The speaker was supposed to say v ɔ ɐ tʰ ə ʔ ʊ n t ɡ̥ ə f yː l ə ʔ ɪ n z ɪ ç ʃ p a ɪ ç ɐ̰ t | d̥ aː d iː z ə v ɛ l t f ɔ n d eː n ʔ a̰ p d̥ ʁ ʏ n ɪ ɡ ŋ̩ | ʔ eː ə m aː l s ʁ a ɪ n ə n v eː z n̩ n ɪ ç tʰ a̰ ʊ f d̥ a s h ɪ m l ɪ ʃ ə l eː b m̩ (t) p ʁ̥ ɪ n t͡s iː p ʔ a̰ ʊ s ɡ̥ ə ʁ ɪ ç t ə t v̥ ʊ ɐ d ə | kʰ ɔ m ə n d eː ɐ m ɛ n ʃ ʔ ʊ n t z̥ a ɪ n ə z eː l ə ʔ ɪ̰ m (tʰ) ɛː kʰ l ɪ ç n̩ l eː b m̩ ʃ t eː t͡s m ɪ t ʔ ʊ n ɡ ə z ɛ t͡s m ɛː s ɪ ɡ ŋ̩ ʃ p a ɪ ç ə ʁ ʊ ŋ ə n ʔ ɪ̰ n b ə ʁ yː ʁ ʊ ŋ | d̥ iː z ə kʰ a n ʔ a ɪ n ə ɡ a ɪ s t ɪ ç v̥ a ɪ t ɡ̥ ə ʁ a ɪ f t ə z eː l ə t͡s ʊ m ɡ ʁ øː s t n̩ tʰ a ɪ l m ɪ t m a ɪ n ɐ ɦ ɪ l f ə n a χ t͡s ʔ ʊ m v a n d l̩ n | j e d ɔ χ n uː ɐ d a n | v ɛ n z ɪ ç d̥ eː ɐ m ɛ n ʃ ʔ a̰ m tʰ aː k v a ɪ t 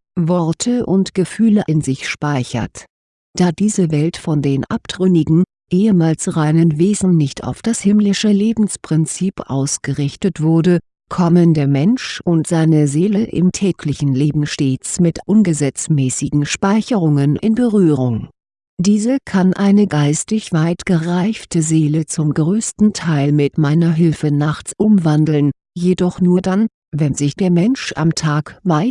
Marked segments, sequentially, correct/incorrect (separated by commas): incorrect, correct